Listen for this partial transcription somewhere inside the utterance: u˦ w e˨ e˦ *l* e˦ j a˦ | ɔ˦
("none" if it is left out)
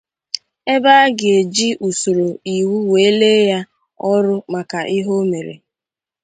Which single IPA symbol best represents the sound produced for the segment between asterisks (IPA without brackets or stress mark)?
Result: l